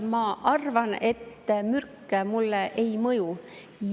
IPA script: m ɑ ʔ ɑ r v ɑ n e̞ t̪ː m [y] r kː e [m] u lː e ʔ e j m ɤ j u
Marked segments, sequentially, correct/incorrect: correct, correct

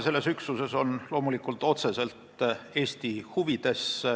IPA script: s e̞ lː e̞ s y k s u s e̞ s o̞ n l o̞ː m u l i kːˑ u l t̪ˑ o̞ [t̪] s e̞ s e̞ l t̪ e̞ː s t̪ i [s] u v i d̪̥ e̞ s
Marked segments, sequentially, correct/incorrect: correct, incorrect: h

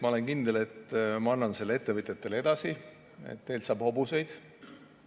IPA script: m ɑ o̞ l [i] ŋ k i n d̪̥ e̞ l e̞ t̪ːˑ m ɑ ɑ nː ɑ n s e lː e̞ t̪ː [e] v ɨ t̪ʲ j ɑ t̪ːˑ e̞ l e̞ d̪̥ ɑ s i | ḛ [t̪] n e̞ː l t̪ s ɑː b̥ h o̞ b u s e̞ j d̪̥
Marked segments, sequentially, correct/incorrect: incorrect: e, correct, correct

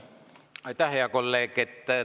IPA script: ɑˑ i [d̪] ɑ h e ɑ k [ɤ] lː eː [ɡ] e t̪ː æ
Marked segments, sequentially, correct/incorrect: incorrect: t̪, incorrect: o, incorrect: k

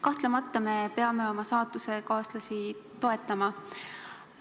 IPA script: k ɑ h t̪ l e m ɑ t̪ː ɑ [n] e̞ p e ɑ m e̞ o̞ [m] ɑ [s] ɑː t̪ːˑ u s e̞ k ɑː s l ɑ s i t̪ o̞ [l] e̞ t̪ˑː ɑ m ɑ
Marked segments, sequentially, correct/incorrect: incorrect: m, correct, correct, incorrect: none

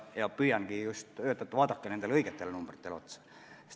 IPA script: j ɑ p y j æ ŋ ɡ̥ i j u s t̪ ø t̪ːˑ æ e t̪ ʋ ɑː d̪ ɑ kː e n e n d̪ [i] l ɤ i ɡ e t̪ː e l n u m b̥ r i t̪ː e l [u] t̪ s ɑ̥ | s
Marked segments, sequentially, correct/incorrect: incorrect: e, incorrect: o

